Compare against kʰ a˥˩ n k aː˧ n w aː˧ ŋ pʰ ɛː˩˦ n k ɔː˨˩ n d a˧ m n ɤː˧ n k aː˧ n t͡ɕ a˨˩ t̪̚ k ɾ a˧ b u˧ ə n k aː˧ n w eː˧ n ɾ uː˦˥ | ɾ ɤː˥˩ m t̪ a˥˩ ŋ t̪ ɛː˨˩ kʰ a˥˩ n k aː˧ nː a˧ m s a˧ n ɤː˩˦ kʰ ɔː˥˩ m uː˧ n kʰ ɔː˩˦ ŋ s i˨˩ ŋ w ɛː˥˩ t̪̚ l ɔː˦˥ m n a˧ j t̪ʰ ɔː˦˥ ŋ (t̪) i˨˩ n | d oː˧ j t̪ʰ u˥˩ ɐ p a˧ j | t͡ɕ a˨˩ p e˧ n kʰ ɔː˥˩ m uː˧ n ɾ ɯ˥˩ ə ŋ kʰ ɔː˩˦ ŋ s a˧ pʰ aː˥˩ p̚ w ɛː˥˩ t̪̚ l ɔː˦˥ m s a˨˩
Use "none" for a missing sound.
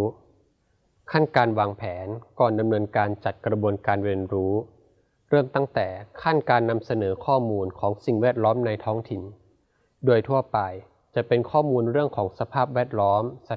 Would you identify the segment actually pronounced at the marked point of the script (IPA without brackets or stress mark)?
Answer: t̪ʰ